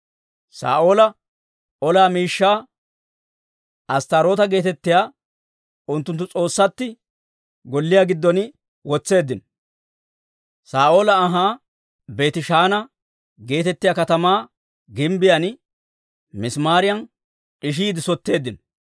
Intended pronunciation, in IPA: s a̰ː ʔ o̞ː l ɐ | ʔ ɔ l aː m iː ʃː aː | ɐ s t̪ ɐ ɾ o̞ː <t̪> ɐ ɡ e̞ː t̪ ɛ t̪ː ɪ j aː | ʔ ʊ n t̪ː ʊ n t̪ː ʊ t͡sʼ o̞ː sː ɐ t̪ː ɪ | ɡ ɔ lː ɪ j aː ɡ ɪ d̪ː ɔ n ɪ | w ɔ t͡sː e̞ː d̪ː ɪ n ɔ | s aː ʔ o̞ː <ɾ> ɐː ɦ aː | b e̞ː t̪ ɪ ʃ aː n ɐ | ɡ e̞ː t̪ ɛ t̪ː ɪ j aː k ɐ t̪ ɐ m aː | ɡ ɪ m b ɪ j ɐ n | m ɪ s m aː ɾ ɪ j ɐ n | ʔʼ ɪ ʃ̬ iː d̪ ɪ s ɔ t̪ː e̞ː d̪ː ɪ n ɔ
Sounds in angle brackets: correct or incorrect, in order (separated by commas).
correct, incorrect